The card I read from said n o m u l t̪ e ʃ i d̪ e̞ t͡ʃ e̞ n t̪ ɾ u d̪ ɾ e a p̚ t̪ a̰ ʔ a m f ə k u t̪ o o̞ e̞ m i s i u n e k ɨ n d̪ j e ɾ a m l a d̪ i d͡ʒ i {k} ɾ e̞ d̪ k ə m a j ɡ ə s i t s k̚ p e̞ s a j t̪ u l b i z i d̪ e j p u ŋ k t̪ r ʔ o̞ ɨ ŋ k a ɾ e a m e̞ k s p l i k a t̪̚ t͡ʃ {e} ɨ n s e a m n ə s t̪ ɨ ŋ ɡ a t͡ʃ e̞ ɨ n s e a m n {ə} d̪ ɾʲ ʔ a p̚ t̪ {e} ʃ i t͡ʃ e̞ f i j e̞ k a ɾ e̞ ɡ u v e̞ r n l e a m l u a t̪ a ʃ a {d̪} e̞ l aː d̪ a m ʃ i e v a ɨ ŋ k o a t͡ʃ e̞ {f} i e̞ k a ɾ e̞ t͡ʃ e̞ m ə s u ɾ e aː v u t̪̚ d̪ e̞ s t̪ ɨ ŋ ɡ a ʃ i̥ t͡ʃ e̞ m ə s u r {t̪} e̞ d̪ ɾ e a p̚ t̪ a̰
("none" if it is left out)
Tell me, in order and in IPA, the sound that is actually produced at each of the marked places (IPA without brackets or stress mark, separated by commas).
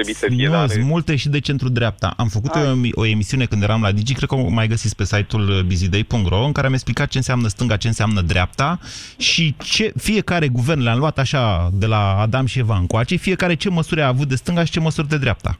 k, e, ə, a, d̪, f, d̪